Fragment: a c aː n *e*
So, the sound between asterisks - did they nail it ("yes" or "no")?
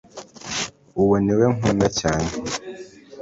yes